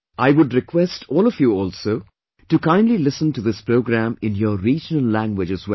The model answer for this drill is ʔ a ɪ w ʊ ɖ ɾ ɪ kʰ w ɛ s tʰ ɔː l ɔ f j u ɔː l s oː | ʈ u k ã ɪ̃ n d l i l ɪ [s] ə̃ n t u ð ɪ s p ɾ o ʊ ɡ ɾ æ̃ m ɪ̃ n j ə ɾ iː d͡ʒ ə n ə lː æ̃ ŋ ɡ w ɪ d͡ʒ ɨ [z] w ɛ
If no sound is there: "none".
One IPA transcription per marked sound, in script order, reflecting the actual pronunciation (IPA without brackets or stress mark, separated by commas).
s, z